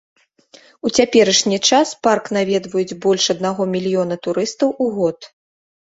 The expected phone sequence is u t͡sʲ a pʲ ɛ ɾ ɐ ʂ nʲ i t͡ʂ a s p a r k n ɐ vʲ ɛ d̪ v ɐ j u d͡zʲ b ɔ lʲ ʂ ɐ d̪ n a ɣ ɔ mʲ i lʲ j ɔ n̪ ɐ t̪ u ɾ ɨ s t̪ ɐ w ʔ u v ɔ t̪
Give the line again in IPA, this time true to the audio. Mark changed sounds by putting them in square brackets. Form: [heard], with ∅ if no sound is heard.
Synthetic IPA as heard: u t͡sʲ a pʲ ɛ ɾ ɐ ʂ nʲ i t͡ʂ a s p a r k n [a] vʲ ɛ d̪ v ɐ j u d͡zʲ b ɔ lʲ ʂ ɐ d̪ n a ɣ ɔ mʲ i lʲ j ɔ n̪ ɐ t̪ u ɾ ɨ s t̪ ɐ w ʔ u [ɣ] ɔ t̪